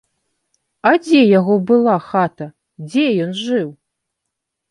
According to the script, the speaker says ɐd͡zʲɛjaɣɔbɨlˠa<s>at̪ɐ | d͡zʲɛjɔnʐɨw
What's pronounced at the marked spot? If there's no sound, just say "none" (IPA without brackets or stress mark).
x